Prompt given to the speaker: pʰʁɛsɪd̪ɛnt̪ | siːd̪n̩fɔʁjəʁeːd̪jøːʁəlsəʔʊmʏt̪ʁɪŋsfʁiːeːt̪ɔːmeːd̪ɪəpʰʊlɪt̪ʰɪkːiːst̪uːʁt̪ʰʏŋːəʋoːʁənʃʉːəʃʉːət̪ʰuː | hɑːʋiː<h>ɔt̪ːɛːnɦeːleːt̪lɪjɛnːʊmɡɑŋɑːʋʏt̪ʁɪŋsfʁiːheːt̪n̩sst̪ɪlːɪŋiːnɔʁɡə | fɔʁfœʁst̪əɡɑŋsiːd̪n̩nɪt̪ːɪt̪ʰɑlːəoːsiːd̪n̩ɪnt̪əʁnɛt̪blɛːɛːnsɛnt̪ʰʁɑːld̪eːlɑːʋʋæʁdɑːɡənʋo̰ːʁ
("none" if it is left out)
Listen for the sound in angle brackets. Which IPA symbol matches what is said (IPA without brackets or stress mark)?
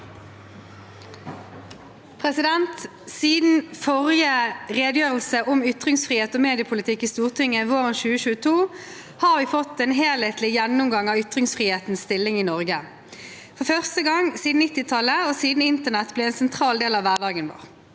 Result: f